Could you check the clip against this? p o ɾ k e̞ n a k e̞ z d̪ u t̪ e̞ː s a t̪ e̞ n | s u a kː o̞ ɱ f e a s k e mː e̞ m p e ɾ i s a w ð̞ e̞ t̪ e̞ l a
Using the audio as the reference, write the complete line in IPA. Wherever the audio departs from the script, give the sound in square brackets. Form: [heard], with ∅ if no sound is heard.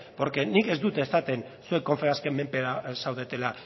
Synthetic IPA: p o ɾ k e̞ n [i] k e̞ z d̪ u t̪ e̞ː s a t̪ e̞ n | s u [e] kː o̞ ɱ f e a s k e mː e̞ m p e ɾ [a] s a w ð̞ e̞ t̪ e̞ l a